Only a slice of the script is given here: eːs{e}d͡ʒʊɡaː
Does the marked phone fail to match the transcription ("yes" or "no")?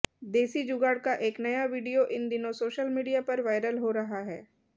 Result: yes